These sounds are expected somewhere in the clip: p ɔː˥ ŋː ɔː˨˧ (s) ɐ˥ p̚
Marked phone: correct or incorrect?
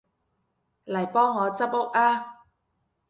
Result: incorrect